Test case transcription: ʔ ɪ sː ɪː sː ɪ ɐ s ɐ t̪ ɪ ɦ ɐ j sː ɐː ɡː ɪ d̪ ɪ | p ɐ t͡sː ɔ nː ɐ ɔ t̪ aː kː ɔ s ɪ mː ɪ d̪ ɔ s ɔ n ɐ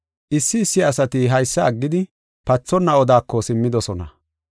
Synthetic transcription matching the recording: ʔ ɪ sː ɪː sː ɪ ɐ s ɐ t̪ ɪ ɦ ɐ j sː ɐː ɡː ɪ d̪ ɪ | p ɐ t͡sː ɔ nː ɐ ɔ d̪ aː kː ɔ s ɪ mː ɪ d̪ ɔ s ɔ n ɐ